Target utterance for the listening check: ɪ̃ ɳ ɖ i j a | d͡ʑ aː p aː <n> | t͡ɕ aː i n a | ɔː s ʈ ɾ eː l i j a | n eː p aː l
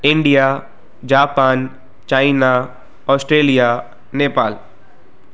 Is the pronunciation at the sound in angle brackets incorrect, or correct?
correct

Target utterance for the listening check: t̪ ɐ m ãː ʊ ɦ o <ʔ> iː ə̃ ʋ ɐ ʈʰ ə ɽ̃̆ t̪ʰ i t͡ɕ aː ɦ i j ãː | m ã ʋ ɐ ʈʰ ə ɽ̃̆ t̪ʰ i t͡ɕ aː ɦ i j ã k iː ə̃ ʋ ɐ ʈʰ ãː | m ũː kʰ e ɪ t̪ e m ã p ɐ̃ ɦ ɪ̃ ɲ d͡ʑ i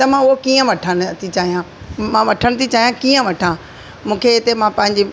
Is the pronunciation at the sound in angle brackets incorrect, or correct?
incorrect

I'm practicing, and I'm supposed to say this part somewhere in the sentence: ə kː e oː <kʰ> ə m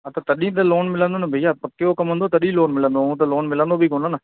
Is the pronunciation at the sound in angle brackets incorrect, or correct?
incorrect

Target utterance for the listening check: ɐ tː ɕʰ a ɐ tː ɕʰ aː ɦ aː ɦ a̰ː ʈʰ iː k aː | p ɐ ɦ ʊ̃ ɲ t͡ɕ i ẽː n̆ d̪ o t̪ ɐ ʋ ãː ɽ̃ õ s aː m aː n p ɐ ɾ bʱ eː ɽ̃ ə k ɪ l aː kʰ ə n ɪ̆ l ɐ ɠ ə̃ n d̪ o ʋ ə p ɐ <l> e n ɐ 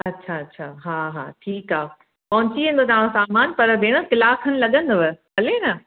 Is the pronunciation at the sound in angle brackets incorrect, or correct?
correct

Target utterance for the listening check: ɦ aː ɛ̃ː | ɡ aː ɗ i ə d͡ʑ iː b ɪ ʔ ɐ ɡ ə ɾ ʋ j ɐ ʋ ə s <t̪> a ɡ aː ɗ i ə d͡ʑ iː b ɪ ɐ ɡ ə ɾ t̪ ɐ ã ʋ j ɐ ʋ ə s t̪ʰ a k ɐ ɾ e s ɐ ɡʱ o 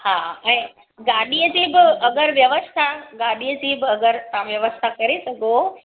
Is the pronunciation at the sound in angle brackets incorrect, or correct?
incorrect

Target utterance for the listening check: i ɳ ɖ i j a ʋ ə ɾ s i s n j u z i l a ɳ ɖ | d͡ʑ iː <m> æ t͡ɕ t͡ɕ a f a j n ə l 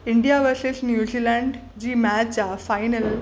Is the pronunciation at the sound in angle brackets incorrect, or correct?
correct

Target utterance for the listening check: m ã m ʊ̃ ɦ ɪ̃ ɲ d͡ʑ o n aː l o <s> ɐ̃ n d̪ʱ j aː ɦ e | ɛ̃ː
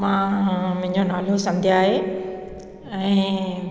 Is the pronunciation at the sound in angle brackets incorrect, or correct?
correct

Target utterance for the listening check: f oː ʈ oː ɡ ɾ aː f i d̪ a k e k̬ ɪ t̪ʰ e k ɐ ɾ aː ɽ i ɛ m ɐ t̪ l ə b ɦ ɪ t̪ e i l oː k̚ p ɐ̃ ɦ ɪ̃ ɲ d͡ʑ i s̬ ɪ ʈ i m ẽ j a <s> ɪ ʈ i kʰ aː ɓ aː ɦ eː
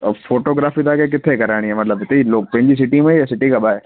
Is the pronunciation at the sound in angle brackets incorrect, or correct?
correct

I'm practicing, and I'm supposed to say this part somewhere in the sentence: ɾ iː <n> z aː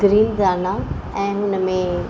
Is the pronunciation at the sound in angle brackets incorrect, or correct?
correct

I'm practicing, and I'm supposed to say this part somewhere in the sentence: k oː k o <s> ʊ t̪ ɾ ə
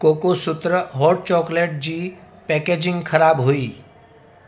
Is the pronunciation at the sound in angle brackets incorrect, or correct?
correct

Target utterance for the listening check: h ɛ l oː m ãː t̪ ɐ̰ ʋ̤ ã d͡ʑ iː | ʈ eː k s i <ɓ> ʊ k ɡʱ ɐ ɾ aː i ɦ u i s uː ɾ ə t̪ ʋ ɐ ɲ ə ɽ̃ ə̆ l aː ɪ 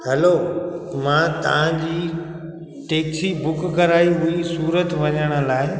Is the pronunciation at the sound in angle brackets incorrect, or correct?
incorrect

